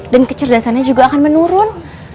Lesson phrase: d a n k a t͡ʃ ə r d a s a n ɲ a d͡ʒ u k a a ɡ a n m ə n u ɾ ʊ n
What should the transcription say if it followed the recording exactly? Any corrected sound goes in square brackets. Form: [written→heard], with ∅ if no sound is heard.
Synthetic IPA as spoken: d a n k [a→ə] t͡ʃ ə r d a s a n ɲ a d͡ʒ u [k→ɡ] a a [ɡ→k] a n m ə n u ɾ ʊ n